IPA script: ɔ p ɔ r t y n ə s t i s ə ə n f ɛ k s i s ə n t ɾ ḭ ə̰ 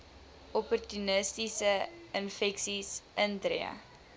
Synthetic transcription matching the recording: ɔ p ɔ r t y n ə s t i s ə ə n f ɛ k s i s ə n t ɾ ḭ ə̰